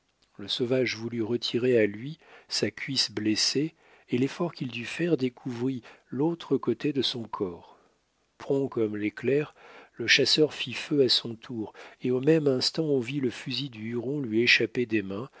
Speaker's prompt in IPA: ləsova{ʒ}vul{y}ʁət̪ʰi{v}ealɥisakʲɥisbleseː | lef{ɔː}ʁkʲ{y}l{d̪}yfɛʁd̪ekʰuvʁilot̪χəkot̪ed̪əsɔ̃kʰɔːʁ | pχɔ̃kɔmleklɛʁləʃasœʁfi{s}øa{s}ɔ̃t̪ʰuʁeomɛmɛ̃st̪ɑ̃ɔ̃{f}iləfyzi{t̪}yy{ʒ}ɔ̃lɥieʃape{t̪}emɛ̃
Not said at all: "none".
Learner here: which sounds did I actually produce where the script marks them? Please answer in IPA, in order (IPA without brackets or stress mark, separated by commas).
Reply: ʒ, y, ʁ, ɔ, i, d̪, f, s, v, d̪, ʁ, d̪